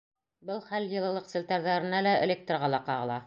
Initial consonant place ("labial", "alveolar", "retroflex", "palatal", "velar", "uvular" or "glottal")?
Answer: labial